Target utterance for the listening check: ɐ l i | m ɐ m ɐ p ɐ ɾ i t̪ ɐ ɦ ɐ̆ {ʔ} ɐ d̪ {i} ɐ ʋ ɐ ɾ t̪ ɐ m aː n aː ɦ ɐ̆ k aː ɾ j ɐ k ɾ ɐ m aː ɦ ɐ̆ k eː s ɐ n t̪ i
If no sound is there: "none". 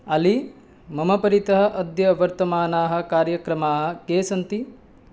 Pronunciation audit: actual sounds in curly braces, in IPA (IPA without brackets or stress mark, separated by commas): ʔ, j